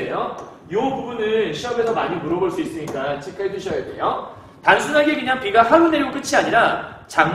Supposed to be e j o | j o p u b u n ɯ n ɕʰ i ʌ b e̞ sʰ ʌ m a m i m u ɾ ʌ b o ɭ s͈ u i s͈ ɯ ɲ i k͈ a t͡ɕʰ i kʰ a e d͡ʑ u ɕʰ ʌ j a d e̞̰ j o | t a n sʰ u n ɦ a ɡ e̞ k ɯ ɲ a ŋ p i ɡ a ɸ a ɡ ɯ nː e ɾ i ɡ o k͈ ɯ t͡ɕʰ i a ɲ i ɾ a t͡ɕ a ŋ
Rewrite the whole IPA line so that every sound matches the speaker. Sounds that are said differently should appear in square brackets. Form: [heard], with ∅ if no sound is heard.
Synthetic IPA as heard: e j o | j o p u b u n ɯ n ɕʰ i ʌ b e̞ sʰ ʌ m a [ɲ] i m u ɾ ʌ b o ɭ s͈ u i s͈ ɯ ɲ i k͈ a t͡ɕʰ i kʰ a e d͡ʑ u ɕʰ ʌ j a d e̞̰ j o | t a n sʰ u n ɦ a ɡ e̞ k ɯ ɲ a ŋ p i ɡ a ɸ a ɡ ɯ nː e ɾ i ɡ o k͈ ɯ t͡ɕʰ i a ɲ i ɾ a t͡ɕ a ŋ